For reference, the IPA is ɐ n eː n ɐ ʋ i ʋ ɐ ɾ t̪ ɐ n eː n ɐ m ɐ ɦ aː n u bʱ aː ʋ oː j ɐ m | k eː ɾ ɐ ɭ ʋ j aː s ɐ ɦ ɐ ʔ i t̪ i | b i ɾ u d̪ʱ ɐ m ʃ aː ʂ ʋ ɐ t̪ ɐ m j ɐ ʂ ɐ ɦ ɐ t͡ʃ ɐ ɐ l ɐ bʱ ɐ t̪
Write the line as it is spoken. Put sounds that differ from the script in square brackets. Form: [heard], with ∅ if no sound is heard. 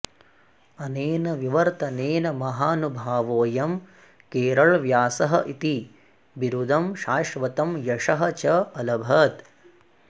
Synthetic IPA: ɐ n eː n ɐ ʋ i ʋ ɐ ɾ t̪ ɐ n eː n ɐ m ɐ ɦ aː n u bʱ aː ʋ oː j ɐ m | k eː ɾ ɐ ɭ ʋ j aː s ɐ ɦ ɐ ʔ i t̪ i | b i ɾ u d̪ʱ ɐ m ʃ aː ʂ ʋ ɐ t̪ ɐ m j ɐ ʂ ɐ ɦ ɐ t͡ʃ ɐ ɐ l ɐ bʱ ɐ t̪